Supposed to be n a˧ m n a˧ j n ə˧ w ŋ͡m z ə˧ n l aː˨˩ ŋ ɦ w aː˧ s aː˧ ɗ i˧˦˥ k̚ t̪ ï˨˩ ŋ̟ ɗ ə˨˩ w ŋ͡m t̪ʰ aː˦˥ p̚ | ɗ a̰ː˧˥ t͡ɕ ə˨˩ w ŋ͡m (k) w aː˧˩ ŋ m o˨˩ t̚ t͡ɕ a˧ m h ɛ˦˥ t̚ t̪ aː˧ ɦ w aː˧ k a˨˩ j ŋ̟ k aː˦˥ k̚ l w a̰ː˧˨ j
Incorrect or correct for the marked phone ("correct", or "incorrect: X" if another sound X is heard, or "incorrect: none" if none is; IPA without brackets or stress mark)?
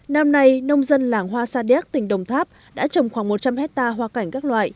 incorrect: x